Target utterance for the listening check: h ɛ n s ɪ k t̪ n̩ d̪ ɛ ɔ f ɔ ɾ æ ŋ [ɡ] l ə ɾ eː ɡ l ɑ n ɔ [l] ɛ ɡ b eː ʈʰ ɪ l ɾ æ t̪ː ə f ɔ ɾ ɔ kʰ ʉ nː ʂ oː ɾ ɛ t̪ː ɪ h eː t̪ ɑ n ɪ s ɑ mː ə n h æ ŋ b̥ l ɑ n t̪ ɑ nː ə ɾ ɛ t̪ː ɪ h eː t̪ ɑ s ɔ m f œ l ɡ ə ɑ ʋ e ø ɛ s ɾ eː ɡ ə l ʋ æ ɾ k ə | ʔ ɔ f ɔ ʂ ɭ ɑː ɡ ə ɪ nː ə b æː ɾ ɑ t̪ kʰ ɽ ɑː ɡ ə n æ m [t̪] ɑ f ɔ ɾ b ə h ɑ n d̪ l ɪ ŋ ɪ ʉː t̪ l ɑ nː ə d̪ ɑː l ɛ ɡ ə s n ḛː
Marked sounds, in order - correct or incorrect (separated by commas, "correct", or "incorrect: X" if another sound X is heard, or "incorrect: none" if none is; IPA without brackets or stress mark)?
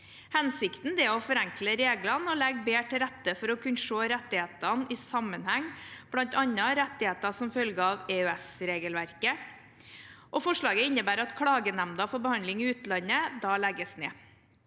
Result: incorrect: k, correct, incorrect: d̪